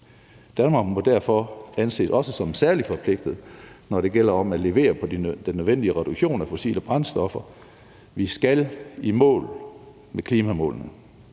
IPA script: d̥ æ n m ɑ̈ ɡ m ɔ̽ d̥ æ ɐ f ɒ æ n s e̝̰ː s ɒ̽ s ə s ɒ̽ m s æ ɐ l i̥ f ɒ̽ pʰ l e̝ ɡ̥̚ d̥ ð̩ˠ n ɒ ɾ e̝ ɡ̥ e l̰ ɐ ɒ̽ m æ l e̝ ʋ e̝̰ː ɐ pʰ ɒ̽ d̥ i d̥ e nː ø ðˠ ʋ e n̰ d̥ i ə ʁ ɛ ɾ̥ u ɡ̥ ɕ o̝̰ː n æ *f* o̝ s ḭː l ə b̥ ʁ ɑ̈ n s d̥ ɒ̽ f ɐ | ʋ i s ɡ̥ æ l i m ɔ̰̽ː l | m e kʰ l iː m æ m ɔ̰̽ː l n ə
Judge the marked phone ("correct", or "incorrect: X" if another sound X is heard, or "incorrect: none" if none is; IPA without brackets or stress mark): correct